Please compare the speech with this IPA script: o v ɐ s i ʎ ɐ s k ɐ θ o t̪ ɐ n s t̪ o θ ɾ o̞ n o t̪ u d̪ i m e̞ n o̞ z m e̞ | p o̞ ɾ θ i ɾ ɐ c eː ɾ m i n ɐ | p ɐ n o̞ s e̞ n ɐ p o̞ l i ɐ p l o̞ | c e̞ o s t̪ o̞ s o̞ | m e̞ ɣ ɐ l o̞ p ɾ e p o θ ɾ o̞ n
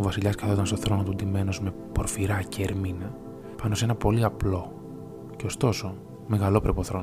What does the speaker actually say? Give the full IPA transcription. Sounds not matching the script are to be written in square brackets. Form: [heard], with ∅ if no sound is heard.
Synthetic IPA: o v ɐ s i ʎ ɐ s k ɐ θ o t̪ ɐ n s t̪ o θ ɾ o̞ n o t̪ u d̪ i m e̞ n o̞ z m e̞ | p o̞ ɾ [f] i ɾ ɐ c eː ɾ m i n ɐ | p ɐ n o̞ s e̞ n ɐ p o̞ l i ɐ p l o̞ | c e̞ o s t̪ o̞ s o̞ | m e̞ ɣ ɐ l o̞ p ɾ e p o θ ɾ o̞ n